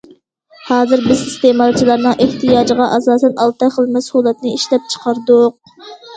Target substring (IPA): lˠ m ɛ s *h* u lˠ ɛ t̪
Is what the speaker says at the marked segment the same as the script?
yes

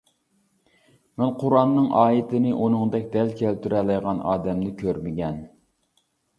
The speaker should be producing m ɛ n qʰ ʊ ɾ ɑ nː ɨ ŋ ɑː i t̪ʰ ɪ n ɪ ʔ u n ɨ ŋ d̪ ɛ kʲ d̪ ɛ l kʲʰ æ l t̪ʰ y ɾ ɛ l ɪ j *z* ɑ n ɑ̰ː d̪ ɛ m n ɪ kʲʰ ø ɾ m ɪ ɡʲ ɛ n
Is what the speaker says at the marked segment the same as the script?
no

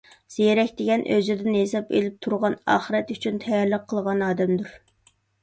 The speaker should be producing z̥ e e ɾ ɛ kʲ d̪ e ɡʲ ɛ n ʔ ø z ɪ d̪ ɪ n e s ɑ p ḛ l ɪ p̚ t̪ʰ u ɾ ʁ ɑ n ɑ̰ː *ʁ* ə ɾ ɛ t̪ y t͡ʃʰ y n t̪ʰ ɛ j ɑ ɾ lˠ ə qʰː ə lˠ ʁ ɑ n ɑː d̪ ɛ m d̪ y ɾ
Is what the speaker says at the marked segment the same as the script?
no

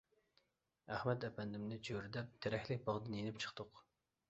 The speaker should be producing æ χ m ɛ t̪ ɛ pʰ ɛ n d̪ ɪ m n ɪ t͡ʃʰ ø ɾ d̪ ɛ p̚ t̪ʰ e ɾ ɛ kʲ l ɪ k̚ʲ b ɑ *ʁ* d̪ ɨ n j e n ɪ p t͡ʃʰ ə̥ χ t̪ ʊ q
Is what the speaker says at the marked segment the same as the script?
yes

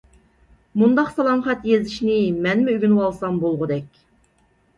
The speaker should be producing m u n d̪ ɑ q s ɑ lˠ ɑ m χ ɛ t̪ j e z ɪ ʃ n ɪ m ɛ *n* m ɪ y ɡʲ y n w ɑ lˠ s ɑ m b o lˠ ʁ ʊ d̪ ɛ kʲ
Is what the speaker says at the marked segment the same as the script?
yes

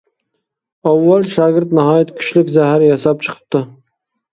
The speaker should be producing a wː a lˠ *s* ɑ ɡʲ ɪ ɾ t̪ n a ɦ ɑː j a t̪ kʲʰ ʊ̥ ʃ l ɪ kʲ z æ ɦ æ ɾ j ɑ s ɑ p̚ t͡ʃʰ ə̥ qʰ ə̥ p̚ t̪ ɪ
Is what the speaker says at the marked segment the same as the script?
no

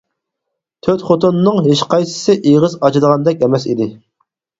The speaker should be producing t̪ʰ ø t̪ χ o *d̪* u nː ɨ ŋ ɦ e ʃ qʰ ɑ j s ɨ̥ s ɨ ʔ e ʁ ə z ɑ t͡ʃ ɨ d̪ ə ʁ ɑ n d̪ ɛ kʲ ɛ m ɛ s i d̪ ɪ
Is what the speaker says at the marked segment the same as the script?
no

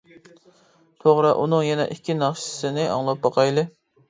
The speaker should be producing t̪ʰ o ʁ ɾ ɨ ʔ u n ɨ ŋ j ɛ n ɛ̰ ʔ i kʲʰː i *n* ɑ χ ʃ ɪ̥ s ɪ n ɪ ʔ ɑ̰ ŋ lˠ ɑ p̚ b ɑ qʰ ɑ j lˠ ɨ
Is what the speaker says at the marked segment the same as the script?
yes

